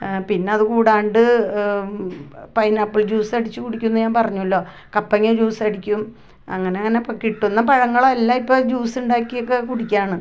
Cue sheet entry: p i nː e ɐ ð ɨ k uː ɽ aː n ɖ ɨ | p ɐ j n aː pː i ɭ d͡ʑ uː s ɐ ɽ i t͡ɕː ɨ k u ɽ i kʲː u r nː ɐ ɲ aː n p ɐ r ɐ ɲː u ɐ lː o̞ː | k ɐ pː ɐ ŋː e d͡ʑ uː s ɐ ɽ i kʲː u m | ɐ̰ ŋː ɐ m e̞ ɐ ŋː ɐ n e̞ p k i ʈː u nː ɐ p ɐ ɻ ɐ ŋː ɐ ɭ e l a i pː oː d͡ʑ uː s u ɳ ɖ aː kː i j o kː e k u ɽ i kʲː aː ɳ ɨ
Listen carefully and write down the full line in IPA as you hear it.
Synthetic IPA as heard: p i nː e ɐ ð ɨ k uː ɽ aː ɳ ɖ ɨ | p ɐ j n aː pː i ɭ d͡ʑ uː s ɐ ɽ i t͡ɕː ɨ k u ɽ i kʲː u nː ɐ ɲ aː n p ɐ r ɐ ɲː u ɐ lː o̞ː | k ɐ pː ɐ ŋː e d͡ʑ uː s ɐ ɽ i kʲː u m | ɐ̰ ŋː ɐ n e̞ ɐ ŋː ɐ n e̞ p k i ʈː u nː ɐ p ɐ ɻ ɐ ŋː ɐ ɭ e lː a i pː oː d͡ʑ uː s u ɳ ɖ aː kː i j o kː e k u ɽ i kʲː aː ɳ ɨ